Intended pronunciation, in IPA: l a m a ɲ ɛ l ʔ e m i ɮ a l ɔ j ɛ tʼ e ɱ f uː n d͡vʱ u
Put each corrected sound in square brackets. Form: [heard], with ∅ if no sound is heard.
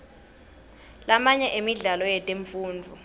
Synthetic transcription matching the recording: l a m a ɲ ɛ [∅] ʔ e m i ɮ a l ɔ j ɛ tʼ e ɱ f uː n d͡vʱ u